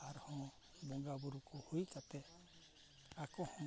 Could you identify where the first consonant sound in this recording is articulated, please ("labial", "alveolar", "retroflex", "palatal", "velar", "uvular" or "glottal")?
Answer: alveolar